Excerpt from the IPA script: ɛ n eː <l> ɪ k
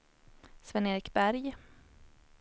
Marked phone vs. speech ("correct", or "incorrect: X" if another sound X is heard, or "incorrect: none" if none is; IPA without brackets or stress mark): incorrect: ɾ